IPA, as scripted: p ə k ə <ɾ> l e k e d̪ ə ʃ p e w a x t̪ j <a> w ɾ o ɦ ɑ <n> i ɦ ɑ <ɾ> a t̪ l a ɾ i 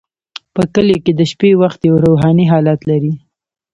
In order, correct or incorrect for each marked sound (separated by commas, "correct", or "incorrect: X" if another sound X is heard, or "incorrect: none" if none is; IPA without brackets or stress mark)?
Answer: incorrect: none, correct, correct, incorrect: l